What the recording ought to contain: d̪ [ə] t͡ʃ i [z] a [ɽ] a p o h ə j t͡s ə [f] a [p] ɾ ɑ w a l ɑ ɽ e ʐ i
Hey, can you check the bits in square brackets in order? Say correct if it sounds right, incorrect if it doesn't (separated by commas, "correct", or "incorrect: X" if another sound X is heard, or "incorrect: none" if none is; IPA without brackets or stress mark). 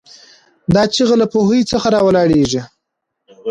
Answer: incorrect: ɑ, incorrect: ɣ, incorrect: l, incorrect: x, incorrect: none